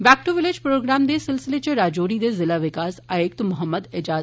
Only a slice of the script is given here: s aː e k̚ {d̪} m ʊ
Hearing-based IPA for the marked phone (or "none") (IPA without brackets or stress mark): t̪